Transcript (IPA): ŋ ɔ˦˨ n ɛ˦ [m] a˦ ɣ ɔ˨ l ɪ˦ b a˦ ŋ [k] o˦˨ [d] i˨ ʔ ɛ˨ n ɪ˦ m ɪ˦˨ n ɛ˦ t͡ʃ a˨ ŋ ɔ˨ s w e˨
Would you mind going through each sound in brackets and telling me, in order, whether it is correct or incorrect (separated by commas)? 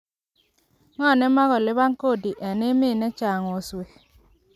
correct, correct, correct